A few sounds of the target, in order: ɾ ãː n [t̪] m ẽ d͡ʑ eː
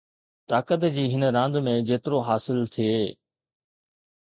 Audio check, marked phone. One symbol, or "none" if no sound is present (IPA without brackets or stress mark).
d̪